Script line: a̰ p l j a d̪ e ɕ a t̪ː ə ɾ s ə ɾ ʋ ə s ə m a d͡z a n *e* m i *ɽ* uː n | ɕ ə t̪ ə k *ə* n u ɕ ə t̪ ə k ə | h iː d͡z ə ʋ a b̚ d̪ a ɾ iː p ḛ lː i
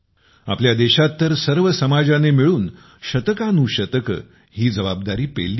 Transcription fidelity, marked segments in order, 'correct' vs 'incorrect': correct, incorrect: ɭ, incorrect: a

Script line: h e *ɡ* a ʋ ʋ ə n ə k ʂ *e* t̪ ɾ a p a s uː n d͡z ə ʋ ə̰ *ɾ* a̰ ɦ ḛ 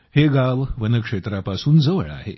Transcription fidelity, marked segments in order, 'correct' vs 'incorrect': correct, correct, incorrect: ɭ

